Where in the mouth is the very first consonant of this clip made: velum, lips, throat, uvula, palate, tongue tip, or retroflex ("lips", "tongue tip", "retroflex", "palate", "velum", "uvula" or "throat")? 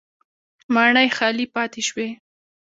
lips